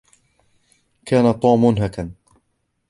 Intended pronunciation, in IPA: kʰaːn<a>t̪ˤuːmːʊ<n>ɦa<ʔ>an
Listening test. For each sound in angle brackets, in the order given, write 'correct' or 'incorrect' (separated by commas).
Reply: correct, correct, incorrect